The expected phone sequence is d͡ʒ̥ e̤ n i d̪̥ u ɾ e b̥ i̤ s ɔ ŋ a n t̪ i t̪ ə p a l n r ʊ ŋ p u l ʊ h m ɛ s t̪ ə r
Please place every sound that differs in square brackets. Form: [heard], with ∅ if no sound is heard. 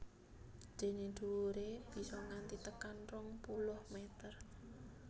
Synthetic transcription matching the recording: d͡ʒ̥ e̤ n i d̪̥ u ɾ e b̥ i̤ s ɔ ŋ a n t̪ i t̪ ə [k] a [∅] n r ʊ ŋ p u l ʊ h m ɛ [∅] t̪ ə r